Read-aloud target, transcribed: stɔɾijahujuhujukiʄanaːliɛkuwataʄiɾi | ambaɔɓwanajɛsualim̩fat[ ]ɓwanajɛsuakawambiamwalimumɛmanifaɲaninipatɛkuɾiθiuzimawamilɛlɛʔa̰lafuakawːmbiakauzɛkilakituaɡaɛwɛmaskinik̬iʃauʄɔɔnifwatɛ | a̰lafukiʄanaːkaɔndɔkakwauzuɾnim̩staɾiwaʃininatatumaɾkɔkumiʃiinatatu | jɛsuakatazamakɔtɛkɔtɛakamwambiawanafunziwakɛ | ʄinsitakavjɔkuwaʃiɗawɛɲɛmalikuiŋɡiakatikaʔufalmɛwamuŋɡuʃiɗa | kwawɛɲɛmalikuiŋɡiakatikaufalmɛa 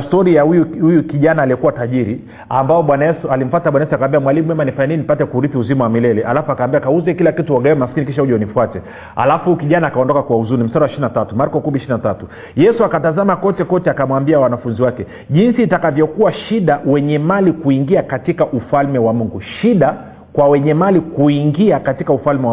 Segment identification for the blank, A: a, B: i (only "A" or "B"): A